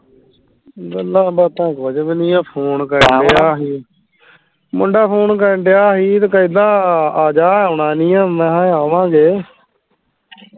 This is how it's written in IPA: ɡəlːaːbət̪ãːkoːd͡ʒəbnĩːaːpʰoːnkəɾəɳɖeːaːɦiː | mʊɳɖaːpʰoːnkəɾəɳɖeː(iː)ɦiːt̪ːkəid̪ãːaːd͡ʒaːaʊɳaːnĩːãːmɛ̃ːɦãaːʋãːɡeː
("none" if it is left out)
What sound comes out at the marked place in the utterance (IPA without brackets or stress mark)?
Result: aː